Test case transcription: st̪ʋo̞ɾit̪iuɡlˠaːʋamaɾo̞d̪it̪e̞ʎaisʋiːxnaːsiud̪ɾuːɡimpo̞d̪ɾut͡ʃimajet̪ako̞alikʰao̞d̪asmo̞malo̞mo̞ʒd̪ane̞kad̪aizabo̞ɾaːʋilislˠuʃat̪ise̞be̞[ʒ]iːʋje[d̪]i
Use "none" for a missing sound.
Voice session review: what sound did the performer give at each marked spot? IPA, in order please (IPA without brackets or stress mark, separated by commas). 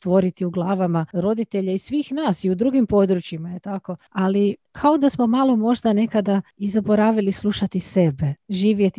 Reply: ʒ, t̪